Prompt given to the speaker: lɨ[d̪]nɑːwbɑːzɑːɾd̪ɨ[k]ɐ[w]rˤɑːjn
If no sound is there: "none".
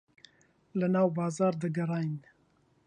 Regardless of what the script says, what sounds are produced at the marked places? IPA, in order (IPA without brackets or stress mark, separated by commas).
none, ɡ, none